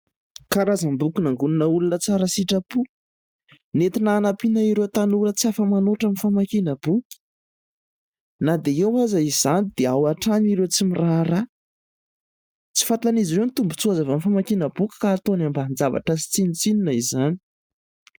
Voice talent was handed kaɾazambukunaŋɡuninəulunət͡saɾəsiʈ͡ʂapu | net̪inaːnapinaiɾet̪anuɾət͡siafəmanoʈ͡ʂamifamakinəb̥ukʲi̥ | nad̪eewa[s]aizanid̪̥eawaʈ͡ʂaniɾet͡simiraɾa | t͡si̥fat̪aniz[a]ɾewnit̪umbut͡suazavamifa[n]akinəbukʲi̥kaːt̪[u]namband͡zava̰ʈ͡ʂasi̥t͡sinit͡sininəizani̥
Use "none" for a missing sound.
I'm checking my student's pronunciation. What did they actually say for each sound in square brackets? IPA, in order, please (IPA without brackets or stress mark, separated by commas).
z, i, m, o